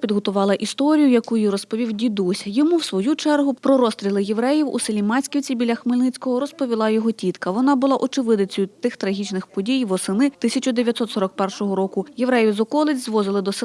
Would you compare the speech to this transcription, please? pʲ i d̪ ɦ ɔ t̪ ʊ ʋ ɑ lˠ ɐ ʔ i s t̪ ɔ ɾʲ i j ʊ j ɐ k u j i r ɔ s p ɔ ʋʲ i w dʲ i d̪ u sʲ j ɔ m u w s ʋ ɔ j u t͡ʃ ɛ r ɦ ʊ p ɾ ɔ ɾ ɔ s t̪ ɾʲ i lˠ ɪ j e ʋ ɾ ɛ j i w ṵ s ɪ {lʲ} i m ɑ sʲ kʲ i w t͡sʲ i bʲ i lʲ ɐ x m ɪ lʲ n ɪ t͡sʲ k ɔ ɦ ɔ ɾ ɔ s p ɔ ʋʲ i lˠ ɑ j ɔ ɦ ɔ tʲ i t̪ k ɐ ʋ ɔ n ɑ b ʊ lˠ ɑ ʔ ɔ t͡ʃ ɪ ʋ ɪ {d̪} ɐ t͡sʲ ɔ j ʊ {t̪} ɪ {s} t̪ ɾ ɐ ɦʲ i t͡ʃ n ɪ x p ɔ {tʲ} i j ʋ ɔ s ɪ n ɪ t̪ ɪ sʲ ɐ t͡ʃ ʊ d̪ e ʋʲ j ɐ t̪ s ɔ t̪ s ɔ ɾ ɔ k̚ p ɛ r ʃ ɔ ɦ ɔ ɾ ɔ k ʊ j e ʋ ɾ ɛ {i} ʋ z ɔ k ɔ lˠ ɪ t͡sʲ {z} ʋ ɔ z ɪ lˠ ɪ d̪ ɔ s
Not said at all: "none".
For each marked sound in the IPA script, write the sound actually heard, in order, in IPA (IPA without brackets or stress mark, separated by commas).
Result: lʲ, d̪, t̪, x, dʲ, j, z